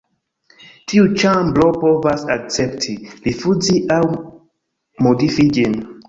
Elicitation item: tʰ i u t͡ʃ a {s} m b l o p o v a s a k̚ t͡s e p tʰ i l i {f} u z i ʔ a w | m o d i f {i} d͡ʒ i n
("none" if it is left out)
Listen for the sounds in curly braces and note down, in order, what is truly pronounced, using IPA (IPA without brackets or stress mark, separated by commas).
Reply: none, f, i